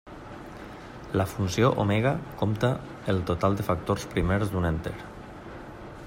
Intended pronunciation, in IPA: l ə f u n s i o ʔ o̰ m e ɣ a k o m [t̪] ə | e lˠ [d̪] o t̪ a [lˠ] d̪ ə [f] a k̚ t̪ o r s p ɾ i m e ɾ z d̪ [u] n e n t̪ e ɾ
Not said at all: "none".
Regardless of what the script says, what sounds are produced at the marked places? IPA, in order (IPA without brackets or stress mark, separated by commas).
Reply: t̪, t̪, lˠ, f, u